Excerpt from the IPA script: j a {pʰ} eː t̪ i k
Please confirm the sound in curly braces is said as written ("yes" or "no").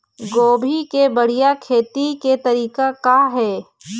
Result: no